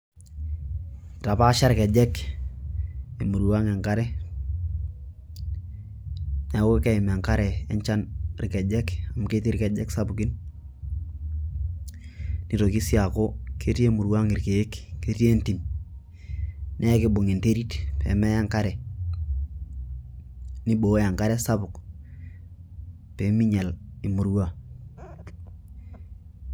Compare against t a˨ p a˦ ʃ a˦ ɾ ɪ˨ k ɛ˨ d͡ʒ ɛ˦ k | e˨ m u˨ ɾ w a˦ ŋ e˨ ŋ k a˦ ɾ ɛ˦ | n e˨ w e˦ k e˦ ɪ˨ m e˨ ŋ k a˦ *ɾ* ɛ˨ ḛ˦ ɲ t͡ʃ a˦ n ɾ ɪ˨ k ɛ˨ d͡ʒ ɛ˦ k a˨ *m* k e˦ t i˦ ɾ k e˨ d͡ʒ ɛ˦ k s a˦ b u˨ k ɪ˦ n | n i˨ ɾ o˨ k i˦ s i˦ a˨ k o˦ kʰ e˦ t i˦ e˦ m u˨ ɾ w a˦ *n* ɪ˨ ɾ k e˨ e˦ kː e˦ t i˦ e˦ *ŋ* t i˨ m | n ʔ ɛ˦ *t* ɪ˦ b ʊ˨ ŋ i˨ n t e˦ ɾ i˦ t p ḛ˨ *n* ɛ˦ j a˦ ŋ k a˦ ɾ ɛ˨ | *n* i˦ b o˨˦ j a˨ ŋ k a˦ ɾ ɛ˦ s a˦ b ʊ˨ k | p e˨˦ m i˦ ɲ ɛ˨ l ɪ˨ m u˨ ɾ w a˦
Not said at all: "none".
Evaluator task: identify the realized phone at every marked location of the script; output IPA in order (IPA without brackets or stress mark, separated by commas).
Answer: ɾ, m, ŋ, n, k, m, n